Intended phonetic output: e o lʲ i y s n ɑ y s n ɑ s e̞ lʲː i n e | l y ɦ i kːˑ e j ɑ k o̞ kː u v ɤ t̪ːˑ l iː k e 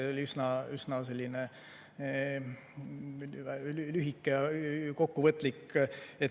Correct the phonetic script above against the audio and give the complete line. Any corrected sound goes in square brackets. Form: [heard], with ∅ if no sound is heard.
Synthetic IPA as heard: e o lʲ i y s n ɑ y s n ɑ s e̞ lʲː i n e | l y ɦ i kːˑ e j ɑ k o̞ kː u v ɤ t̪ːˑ l [i] k e